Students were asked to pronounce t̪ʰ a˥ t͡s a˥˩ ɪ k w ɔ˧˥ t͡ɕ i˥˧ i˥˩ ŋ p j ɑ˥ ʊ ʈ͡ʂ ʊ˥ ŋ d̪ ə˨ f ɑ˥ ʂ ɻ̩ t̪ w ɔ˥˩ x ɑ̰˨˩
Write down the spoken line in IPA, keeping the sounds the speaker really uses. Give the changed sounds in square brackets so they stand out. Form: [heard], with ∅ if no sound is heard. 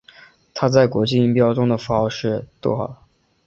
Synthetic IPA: t̪ʰ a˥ t͡s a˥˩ ɪ k w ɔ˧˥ t͡ɕ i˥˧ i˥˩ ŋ p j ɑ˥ ʊ ʈ͡ʂ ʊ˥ ŋ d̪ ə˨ f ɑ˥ ʂ ɻ̩ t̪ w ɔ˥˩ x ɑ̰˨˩